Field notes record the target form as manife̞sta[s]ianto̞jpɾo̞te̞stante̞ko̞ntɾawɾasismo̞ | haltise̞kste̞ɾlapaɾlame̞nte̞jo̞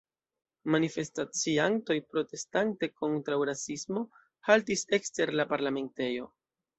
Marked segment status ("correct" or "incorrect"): incorrect